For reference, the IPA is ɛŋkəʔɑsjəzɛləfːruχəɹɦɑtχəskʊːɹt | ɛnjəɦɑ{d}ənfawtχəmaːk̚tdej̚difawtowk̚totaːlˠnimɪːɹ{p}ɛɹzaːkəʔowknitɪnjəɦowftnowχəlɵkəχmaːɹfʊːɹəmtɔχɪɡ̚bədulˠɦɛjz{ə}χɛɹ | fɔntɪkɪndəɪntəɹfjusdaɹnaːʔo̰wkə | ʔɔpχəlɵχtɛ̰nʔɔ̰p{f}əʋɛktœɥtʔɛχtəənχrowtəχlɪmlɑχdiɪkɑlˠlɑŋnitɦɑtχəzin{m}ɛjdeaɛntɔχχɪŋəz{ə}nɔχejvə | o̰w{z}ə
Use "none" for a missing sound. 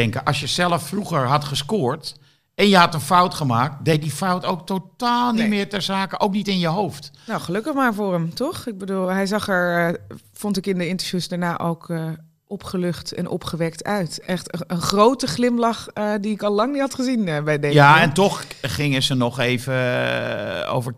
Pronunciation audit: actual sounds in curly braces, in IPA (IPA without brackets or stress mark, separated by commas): t, t, ɑ, χ, b, ə, v